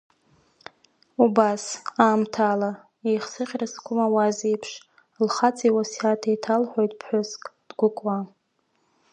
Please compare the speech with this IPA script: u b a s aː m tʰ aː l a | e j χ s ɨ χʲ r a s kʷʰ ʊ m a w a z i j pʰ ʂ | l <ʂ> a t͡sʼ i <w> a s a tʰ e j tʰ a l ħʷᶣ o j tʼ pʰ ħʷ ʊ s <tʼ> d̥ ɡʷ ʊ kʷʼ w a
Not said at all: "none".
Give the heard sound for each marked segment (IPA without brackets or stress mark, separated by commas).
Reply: χ, w, kʼ